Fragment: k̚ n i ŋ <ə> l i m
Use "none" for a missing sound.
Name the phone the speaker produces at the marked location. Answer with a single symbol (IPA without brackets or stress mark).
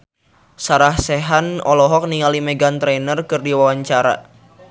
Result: a